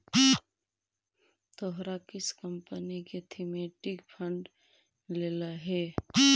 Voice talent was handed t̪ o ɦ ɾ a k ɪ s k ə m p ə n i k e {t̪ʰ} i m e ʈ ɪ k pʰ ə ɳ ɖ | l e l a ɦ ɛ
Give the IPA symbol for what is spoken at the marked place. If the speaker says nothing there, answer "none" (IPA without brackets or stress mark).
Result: t̪ʰ